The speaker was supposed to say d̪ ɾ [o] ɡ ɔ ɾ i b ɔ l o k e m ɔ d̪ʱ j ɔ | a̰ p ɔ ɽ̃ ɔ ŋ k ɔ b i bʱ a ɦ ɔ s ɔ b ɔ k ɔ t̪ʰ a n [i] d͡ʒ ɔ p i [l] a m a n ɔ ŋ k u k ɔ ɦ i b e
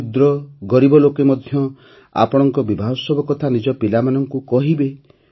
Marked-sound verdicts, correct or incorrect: incorrect, correct, correct

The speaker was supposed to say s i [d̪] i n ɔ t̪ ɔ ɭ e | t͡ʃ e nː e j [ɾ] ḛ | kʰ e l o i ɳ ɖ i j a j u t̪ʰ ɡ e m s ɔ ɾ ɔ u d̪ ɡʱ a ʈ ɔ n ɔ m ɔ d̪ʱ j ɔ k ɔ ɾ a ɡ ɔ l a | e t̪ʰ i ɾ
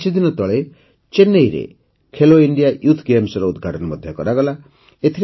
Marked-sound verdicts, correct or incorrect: correct, correct

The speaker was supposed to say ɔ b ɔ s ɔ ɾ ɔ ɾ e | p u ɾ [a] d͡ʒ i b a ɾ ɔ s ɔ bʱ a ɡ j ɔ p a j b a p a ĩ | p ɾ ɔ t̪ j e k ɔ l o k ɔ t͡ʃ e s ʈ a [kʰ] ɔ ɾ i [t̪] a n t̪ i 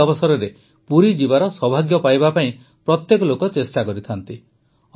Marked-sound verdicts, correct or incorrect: incorrect, incorrect, incorrect

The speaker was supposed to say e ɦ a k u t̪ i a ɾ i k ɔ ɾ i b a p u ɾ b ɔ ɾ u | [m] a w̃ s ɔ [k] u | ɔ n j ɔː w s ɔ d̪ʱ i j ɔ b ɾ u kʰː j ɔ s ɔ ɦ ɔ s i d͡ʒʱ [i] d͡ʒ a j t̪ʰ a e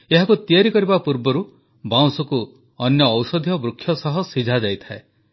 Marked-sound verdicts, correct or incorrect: incorrect, correct, incorrect

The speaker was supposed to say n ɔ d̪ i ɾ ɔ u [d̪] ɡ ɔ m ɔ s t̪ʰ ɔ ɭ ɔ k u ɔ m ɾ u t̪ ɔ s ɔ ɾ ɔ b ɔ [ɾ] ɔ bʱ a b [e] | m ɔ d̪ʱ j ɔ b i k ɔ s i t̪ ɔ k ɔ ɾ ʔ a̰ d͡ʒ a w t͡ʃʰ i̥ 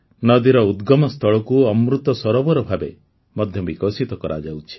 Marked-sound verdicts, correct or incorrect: correct, correct, correct

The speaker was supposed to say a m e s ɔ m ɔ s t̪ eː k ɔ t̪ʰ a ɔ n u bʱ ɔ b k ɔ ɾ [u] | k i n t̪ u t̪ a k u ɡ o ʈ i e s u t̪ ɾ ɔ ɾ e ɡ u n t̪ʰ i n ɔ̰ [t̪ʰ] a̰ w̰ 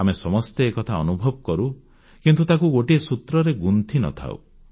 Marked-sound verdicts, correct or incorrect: correct, correct

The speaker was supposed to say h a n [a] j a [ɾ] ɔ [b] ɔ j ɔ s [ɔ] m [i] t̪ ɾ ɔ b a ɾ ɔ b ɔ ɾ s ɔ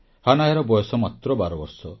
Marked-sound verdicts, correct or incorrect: correct, correct, correct, correct, incorrect

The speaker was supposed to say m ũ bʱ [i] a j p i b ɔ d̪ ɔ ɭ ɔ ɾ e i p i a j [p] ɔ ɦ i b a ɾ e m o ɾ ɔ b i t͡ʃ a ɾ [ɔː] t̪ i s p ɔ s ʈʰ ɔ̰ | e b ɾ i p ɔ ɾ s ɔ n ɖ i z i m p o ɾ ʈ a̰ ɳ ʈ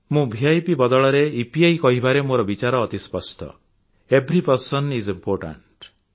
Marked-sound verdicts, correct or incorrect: correct, incorrect, correct

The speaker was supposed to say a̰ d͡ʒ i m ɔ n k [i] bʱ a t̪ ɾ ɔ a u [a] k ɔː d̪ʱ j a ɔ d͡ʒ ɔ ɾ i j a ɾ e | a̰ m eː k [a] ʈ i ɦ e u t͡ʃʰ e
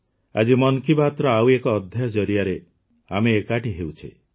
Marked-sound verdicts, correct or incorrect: correct, incorrect, correct

